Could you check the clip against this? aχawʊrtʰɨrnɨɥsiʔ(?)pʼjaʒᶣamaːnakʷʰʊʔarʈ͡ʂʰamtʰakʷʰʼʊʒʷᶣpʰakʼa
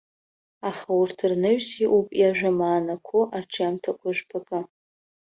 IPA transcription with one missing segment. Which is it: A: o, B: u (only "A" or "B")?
B